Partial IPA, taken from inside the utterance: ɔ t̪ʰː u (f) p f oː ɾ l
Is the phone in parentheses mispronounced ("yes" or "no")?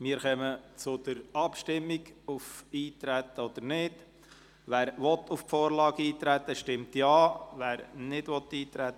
no